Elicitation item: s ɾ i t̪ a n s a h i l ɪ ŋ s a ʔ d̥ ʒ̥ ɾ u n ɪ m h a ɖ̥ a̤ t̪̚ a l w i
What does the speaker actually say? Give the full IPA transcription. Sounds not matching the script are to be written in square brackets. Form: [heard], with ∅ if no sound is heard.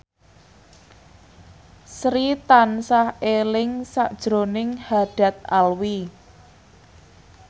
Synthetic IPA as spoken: s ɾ i t̪ a n s a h [e] l ɪ ŋ s a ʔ d̥ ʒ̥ ɾ [o] n ɪ [ŋ] h a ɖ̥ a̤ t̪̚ a l w i